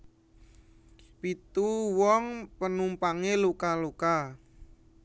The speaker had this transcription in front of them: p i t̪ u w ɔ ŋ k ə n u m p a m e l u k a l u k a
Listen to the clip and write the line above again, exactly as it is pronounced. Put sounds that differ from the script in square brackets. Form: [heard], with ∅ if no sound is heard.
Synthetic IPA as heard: p i t̪ u w ɔ ŋ [p] ə n u m p a [ŋ] e l u k a l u k a

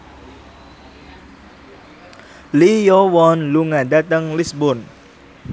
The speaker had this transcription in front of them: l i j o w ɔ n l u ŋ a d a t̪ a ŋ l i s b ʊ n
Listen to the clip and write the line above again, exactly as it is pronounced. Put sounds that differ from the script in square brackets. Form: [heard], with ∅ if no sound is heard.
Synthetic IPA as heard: l i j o w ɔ n l u ŋ a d a t̪ [ə] ŋ l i s b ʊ n

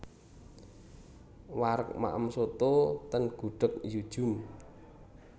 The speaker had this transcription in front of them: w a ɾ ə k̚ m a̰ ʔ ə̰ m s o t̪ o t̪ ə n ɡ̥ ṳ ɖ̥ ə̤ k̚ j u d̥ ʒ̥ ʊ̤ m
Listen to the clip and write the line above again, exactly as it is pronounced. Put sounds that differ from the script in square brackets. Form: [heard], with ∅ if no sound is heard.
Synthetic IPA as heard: w a ɾ ə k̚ m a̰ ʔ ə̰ m s o t̪ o t̪ ə n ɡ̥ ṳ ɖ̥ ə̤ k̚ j u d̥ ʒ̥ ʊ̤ m

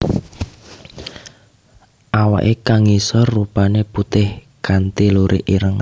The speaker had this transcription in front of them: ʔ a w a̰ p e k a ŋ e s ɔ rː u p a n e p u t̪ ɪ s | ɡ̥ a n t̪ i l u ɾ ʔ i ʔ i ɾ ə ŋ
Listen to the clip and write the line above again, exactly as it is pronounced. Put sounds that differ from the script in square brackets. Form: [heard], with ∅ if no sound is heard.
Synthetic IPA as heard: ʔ a w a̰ [ʔ] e k a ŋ [i] s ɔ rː u p a n e p u t̪ ɪ [h] | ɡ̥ a n t̪ i l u ɾ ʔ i ʔ i ɾ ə ŋ

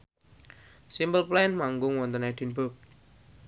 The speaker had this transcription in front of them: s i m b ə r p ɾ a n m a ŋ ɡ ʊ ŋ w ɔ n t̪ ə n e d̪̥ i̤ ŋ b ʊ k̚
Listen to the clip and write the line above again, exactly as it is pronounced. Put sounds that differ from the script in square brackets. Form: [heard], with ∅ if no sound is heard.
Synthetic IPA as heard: s i m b ə [l] p [l] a n m a ŋ ɡ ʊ ŋ w ɔ n t̪ ə n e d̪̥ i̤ [n] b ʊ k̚

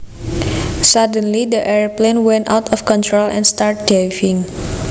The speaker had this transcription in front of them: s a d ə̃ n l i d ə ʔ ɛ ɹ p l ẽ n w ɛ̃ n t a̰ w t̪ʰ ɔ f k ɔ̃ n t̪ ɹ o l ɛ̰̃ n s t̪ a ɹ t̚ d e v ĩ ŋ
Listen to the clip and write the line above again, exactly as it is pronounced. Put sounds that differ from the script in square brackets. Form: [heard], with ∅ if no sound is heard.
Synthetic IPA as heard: s a d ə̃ n l i d ə ʔ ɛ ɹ p l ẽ n w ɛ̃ n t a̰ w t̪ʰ ɔ f k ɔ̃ n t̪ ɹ o l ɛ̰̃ n s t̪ a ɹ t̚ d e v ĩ ŋ

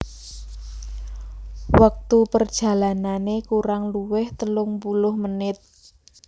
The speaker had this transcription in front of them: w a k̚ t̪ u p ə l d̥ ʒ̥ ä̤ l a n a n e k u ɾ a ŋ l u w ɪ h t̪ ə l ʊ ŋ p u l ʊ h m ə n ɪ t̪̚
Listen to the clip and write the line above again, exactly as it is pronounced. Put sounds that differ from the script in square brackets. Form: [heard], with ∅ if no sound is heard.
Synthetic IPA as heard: w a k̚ t̪ u p ə [r] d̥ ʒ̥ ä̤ l a n a n e k u ɾ a ŋ l u w ɪ h t̪ ə l ʊ ŋ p u l ʊ h m ə n ɪ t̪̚

